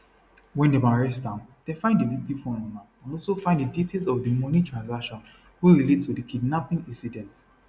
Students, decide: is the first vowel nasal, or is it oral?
nasal